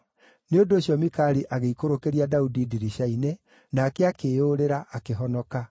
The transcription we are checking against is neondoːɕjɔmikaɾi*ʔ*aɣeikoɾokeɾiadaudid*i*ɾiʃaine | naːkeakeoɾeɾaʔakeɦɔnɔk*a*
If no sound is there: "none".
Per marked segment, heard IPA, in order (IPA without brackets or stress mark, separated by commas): ʔ, i, a